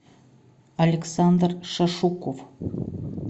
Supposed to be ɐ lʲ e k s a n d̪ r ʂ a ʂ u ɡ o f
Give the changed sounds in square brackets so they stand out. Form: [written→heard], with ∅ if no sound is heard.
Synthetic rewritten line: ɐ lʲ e k s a n d̪ r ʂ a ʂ u [ɡ→k] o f